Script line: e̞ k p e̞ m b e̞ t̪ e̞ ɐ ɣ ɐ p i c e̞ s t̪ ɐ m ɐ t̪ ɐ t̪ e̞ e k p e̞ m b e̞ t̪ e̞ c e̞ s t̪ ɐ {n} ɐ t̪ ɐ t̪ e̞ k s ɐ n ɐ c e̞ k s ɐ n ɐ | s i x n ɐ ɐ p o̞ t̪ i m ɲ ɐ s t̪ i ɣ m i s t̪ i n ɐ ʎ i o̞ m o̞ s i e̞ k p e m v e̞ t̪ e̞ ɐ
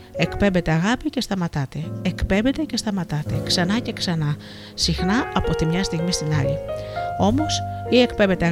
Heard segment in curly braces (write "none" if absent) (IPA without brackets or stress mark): m